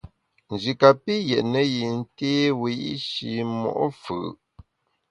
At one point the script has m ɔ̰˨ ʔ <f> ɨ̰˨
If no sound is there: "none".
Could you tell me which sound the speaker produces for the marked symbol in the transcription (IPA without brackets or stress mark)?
f